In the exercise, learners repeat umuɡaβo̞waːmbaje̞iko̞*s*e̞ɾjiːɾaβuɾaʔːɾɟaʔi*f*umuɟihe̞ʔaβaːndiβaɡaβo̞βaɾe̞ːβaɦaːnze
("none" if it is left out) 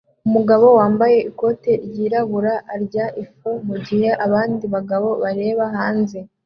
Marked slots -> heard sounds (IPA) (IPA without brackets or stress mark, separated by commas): t, f